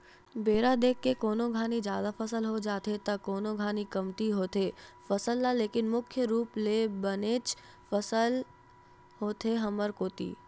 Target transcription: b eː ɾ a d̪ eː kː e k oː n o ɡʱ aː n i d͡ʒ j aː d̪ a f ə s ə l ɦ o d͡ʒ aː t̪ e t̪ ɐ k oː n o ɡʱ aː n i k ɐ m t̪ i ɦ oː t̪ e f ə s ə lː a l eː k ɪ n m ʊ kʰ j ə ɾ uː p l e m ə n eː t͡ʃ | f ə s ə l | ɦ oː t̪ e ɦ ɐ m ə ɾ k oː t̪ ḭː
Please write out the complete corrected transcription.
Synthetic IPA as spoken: b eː ɾ a d̪ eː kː e k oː n o ɡʱ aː n i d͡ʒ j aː d̪ a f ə s ə l ɦ o d͡ʒ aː t̪ e t̪ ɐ k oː n o ɡʱ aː n i k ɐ m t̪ i ɦ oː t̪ e f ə s ə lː a l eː k ɪ n m ʊ kʰ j ə ɾ uː p l e b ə n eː t͡ʃ | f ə s ə l | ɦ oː t̪ e ɦ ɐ m ə ɾ k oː t̪ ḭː